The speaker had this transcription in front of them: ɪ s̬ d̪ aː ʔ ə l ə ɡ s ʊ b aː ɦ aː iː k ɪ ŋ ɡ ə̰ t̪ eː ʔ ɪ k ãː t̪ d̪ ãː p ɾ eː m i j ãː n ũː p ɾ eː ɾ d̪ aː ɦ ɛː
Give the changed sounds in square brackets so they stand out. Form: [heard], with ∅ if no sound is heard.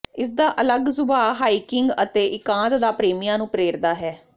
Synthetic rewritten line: ɪ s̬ d̪ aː ʔ ə l ə ɡ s ʊ b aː ɦ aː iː k ɪ ŋ ɡ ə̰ t̪ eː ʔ ɪ k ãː t̪ d̪ [aː] p ɾ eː m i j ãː n ũː p ɾ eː ɾ d̪ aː ɦ ɛː